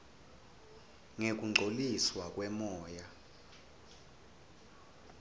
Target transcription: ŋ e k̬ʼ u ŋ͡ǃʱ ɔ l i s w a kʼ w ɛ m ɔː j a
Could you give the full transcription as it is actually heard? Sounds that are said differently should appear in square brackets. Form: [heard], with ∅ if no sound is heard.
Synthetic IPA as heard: ŋ e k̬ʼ u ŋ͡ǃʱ [o] l i s w a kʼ w ɛ m ɔː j a